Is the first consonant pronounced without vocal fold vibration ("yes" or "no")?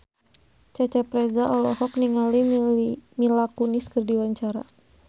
yes